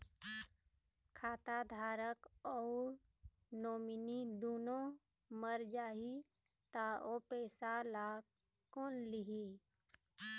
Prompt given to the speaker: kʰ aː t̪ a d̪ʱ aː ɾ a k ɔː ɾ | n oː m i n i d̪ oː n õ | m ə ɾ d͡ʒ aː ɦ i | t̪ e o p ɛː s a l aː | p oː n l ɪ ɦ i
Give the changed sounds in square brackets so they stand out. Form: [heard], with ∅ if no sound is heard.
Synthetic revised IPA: kʰ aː t̪ a d̪ʱ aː ɾ [ə] k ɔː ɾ | n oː m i n i d̪ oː n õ | m ə ɾ d͡ʒ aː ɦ i | t̪ [a] o p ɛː s a l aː | [k] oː n l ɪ ɦ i